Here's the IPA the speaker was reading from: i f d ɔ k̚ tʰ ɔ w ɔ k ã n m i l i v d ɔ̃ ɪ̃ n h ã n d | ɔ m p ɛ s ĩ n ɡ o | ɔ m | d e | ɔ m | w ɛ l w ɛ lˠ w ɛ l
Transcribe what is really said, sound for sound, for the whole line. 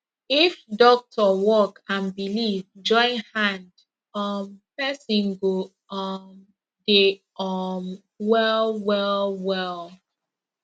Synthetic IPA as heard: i f d ɔ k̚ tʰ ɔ w ɔ k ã n b i l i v d͡ʒ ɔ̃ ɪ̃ n h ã n d | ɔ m p ɛ s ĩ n ɡ o | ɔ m | d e | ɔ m | w ɛ l w ɛ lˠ w ɛ l